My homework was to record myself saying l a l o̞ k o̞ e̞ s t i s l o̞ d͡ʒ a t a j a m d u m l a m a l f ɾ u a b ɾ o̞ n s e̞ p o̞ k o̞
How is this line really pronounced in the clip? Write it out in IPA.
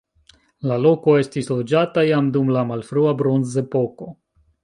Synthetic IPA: l a l o̞ k o̞ e̞ s t i s l o̞ d͡ʒ a t a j a m d u m l a m a l f ɾ u a b ɾ o̞ n z e̞ p o̞ k o̞